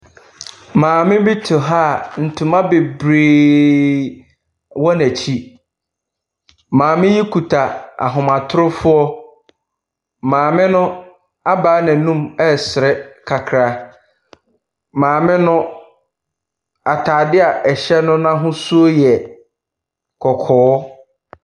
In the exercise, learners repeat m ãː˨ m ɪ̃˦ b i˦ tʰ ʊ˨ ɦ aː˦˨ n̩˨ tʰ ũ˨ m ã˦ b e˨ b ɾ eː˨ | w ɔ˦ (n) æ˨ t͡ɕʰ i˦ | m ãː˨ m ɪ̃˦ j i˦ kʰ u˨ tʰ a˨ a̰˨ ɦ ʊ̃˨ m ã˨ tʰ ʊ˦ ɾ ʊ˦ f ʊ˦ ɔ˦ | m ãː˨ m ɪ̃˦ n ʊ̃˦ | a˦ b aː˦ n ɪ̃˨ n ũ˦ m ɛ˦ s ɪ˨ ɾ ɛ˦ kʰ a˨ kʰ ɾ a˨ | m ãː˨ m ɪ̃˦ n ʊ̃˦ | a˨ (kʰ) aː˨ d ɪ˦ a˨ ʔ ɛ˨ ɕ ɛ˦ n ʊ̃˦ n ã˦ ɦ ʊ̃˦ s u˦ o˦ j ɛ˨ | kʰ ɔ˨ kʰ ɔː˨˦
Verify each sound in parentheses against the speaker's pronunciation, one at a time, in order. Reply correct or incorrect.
correct, incorrect: tʰ

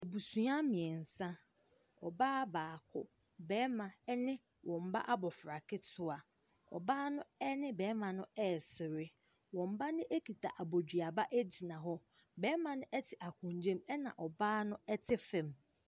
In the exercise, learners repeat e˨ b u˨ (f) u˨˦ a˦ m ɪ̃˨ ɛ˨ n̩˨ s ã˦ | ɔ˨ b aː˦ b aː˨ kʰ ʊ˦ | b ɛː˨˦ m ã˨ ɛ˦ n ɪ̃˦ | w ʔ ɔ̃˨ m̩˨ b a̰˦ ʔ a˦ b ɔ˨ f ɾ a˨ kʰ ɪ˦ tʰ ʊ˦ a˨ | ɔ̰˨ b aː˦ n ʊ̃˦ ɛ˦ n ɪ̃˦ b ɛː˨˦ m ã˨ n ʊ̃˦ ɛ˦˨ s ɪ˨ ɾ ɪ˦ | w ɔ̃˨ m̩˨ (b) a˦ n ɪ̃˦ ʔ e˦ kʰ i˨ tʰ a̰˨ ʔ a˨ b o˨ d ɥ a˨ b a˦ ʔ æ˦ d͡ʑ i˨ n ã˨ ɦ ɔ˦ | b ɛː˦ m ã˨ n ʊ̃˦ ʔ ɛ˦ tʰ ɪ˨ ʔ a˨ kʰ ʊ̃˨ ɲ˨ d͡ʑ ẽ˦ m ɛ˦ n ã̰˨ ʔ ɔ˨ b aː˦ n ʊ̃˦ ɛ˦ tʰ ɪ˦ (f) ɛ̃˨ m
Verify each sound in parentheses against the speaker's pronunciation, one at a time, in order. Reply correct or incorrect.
incorrect: s, correct, correct

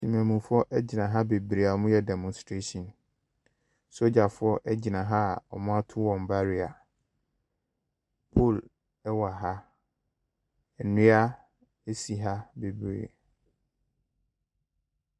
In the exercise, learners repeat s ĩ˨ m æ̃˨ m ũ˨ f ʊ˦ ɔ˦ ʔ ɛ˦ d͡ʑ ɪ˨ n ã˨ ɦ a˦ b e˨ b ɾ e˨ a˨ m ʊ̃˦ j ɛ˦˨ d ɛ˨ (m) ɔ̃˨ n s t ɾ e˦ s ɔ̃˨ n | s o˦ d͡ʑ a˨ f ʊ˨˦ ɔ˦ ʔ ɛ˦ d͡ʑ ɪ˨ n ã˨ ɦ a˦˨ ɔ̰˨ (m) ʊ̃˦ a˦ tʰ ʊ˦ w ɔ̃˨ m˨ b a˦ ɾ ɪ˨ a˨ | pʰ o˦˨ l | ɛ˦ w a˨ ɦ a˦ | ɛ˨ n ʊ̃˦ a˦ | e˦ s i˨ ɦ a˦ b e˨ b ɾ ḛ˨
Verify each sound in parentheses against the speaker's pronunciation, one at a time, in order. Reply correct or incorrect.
correct, correct

